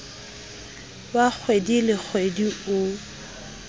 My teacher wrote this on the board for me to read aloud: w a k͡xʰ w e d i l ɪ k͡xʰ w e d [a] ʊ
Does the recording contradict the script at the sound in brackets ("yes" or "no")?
yes